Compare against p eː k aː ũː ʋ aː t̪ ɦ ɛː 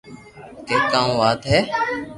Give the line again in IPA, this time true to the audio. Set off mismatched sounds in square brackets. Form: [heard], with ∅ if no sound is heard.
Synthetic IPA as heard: [k] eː k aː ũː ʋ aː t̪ ɦ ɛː

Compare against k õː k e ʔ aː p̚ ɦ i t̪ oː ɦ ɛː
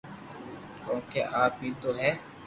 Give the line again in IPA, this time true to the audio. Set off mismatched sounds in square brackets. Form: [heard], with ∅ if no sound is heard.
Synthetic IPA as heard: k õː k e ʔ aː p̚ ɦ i t̪ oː ɦ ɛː

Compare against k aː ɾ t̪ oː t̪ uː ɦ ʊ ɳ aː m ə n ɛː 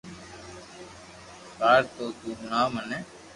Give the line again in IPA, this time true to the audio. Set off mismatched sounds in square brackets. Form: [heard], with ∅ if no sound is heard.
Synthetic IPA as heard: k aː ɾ t̪ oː t̪ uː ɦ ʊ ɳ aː m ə n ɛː

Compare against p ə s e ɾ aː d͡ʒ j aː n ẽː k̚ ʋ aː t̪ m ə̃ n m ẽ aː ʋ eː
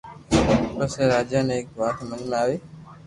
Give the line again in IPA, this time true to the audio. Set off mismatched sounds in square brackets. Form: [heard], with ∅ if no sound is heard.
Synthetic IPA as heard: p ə s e ɾ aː d͡ʒ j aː n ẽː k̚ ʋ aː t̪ m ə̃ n m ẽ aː ʋ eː

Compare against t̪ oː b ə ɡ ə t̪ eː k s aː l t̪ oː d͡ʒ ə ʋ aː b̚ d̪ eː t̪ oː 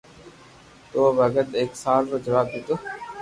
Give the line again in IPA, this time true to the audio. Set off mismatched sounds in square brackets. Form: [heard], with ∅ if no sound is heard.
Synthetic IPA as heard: t̪ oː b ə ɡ ə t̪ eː k s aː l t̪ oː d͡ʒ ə ʋ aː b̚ d̪ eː t̪ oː

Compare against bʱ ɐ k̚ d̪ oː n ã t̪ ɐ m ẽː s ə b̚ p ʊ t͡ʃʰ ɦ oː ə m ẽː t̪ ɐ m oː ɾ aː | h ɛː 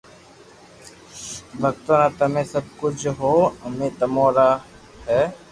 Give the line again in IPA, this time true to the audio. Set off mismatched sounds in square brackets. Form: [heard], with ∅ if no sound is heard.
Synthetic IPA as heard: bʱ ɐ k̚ [t̪] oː n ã t̪ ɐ m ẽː s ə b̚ [k] ʊ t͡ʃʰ ɦ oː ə m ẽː t̪ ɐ m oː ɾ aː | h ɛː

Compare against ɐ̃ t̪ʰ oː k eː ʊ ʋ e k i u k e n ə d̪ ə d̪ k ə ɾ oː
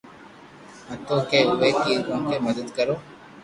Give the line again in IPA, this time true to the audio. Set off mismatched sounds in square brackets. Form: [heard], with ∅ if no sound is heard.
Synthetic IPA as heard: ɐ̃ [t̪] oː k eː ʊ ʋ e k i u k e [m] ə d̪ ə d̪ k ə ɾ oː

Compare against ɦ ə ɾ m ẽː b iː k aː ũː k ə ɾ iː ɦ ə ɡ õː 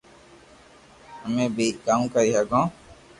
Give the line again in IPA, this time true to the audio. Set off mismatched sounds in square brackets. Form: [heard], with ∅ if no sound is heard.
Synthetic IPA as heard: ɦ ə [∅] m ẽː b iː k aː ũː k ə ɾ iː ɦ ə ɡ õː

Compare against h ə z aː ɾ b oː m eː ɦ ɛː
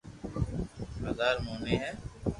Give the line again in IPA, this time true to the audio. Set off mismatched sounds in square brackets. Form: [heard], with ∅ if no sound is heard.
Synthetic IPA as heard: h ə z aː ɾ [m] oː [n] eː ɦ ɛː

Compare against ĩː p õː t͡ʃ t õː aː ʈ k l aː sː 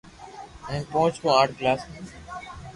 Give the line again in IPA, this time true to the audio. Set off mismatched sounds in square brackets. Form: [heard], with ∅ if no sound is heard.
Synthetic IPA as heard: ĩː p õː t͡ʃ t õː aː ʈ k l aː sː

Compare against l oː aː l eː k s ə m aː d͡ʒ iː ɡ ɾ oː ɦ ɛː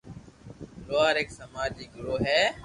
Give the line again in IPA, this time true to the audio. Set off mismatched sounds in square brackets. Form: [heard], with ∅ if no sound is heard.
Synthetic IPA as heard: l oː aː [ɾ] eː k s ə m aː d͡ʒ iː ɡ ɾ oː ɦ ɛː

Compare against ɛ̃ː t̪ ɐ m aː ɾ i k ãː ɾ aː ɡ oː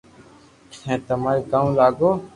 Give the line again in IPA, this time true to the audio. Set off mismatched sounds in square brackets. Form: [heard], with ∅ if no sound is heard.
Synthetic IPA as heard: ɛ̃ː t̪ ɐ m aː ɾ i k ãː [l] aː ɡ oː

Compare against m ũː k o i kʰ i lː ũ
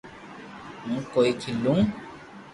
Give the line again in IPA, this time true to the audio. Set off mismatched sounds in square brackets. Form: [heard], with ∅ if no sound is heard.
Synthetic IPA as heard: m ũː k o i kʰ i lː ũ

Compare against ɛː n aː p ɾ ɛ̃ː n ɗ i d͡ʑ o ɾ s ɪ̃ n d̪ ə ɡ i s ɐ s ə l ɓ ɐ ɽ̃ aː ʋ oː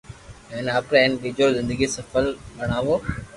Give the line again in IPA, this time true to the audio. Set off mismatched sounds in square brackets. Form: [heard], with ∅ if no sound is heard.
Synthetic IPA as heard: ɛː n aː p ɾ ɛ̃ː n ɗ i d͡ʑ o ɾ [z] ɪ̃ n d̪ ə ɡ i s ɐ [f] ə l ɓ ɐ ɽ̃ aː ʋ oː

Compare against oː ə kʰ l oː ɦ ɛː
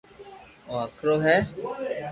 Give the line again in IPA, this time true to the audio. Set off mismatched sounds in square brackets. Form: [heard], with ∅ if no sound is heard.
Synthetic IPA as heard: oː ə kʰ [ɾ] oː ɦ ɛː

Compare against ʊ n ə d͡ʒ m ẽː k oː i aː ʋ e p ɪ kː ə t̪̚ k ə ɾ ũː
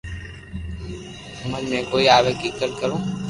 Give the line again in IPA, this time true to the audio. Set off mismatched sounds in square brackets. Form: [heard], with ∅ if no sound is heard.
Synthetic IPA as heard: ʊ [m] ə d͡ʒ m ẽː k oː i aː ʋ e [k] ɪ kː ə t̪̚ k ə ɾ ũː

